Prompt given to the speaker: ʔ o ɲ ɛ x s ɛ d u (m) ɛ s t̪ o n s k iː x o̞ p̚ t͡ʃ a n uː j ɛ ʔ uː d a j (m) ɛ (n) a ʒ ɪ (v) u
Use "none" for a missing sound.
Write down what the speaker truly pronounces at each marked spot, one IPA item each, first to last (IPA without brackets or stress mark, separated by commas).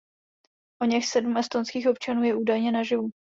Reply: m, ɲ, n, v